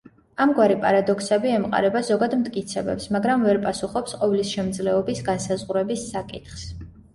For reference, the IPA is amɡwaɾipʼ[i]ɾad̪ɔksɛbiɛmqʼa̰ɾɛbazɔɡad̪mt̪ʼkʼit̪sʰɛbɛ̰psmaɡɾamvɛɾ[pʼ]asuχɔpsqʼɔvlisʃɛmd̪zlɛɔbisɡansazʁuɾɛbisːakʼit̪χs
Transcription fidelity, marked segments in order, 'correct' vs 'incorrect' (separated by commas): incorrect, correct